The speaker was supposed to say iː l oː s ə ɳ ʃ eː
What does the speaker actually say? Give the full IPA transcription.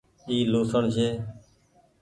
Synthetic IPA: iː l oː s ə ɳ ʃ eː